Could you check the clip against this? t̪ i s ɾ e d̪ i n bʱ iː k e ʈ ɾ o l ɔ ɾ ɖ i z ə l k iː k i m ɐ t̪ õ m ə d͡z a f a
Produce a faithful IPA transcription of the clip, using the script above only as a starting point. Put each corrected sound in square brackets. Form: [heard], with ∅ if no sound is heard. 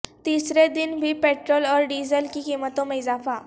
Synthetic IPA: t̪ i s ɾ e d̪ i n bʱ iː [p] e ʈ ɾ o l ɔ ɾ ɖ i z ə l k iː k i m [ə] t̪ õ m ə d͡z a f a